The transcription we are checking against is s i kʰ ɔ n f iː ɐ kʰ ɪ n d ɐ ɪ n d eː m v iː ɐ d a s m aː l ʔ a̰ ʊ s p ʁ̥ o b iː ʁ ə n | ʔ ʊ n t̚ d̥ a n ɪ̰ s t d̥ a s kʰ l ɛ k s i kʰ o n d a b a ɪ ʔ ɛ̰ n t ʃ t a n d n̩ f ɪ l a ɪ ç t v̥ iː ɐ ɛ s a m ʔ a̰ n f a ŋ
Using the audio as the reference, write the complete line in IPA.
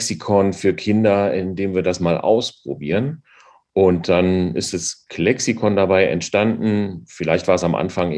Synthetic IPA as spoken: s i kʰ ɔ n f yː ɐ kʰ ɪ n d ɐ ɪ n d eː m v iː ɐ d a s m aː l ʔ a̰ ʊ s p ʁ̥ o b iː ʁ ə n | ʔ ʊ n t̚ d̥ a n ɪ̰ s t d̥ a s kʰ l ɛ k s i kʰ ɔ n d a b a ɪ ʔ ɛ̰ n t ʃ t a n d n̩ f ɪ l a ɪ ç t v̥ aː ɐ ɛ s a m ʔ a̰ n f a ŋ